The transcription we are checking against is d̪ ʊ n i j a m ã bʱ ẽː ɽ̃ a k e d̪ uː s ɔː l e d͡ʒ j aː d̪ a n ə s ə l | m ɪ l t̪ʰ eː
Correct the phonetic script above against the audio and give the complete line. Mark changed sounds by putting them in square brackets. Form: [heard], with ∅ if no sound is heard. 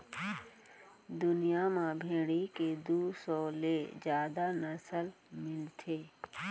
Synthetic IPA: d̪ ʊ n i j a m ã bʱ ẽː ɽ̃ [i] k e d̪ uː s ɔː l e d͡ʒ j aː d̪ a n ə s ə l | m ɪ l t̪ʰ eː